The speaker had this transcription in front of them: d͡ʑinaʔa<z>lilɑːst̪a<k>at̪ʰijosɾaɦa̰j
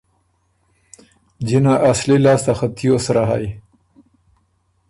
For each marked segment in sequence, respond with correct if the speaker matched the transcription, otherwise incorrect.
incorrect, incorrect

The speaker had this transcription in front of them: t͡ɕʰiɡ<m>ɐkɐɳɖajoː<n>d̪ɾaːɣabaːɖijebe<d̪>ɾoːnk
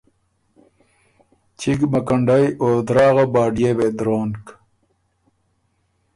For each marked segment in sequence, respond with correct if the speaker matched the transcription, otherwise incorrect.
correct, incorrect, correct

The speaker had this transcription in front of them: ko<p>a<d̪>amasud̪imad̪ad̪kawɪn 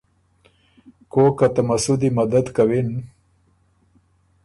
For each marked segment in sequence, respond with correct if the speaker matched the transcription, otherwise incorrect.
incorrect, incorrect

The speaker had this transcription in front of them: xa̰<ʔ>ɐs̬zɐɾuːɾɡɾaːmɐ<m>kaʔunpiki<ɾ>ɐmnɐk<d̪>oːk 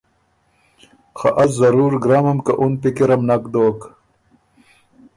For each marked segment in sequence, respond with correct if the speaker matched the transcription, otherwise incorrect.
correct, correct, correct, correct

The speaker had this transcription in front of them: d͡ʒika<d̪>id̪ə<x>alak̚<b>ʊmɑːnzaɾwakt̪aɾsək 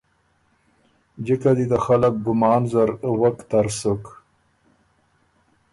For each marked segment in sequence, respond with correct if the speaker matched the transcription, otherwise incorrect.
correct, correct, incorrect

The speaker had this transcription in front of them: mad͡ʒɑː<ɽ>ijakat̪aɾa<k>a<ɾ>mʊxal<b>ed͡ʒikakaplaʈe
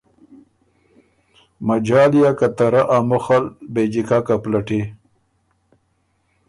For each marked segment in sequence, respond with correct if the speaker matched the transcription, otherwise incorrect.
incorrect, incorrect, incorrect, correct

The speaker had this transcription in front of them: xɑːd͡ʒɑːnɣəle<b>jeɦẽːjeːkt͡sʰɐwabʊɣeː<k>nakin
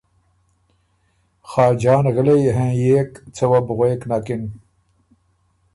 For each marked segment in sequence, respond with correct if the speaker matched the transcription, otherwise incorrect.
incorrect, correct

